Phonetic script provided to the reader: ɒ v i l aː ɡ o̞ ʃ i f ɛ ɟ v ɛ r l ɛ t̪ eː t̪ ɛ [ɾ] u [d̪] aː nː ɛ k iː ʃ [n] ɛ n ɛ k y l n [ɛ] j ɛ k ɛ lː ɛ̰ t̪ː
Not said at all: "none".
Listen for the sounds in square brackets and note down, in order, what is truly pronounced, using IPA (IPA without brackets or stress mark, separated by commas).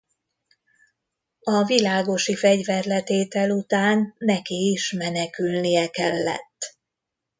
l, t̪, m, i